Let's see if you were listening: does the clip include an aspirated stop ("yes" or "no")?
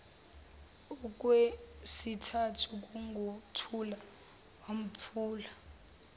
yes